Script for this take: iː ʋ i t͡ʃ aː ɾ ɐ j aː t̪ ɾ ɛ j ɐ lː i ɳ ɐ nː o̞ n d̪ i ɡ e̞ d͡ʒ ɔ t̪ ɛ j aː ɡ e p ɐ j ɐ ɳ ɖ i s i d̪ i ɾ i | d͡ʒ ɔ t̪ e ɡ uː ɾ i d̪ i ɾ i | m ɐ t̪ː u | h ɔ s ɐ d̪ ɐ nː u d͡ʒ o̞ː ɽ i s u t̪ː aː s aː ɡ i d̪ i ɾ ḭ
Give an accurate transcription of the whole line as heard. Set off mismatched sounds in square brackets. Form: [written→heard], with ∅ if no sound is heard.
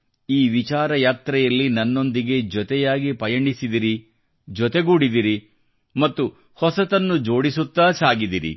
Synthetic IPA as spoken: iː ʋ i t͡ʃ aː ɾ ɐ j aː t̪ ɾ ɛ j ɐ lː i [ɳ→n] ɐ nː o̞ n d̪ i ɡ e̞ d͡ʒ ɔ t̪ ɛ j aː ɡ [e→i] p ɐ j ɐ ɳ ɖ i s i d̪ i ɾ i | d͡ʒ ɔ t̪ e ɡ uː [ɾ→ɽ] i d̪ i ɾ i | m ɐ t̪ː u | h ɔ s ɐ [d̪→t̪] ɐ nː u d͡ʒ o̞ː ɽ i s u t̪ː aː s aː ɡ i d̪ i ɾ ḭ